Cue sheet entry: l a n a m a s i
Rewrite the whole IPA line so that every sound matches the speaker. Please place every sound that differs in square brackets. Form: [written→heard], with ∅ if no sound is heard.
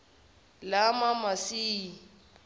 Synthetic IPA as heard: l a [n→m] a m a s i